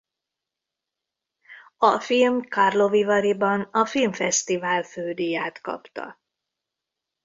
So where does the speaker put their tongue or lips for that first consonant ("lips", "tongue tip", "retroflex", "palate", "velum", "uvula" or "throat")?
lips